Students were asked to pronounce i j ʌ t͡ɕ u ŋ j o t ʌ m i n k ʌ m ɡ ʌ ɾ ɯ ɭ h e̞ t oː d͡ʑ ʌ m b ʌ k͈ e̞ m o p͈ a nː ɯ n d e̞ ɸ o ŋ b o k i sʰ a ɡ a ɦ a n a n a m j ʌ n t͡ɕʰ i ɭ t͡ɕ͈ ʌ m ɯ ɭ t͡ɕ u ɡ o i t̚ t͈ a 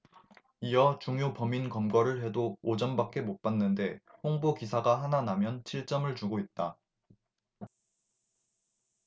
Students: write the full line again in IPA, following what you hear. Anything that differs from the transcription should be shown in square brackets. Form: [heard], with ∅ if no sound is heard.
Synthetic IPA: i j ʌ t͡ɕ u ŋ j o [p] ʌ m i n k ʌ m ɡ ʌ ɾ ɯ ɭ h e̞ [d] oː d͡ʑ ʌ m b [a] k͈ e̞ m o p͈ a nː ɯ n d e̞ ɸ o ŋ b o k i sʰ a ɡ a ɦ a n a n a m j ʌ n t͡ɕʰ i ɭ t͡ɕ͈ ʌ m ɯ ɭ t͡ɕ u ɡ o i t̚ t͈ a